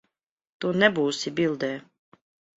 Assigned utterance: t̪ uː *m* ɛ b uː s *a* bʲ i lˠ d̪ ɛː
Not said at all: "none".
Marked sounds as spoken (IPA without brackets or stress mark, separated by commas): n, i